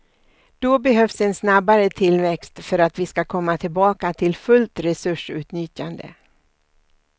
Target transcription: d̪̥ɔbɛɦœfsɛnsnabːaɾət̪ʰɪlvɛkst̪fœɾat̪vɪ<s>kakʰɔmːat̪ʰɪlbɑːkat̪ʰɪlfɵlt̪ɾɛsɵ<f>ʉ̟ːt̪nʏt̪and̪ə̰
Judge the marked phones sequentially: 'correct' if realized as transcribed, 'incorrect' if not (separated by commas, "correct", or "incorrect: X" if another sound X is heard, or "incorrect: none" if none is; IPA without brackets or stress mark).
correct, incorrect: ʂ